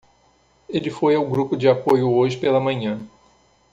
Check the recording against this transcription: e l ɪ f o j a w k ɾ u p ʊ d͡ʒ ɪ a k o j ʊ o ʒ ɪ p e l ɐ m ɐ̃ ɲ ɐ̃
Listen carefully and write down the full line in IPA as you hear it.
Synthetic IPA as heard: e l ɪ f o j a w ɡ ɾ u p ʊ d͡ʒ ɪ a p o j ʊ o ʒ ɪ p e l ɐ m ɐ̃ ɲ ɐ̃